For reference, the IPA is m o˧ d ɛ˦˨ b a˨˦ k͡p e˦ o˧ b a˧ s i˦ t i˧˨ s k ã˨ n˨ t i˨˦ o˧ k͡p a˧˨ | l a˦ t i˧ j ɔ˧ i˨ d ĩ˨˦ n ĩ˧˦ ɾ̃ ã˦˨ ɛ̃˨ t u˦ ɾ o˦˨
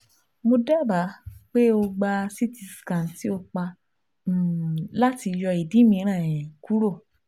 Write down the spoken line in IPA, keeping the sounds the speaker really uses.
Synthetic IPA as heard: m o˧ d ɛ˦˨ b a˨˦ k͡p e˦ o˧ ɡ͡b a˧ s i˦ t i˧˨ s k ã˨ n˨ t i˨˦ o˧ k͡p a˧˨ | l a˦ t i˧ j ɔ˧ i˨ d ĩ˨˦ m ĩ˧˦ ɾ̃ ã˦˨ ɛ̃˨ k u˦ ɾ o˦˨